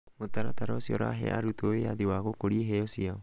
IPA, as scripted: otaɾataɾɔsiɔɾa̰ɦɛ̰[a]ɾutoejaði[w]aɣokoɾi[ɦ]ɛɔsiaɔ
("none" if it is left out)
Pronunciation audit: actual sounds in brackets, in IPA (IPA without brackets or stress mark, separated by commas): a, w, ɦ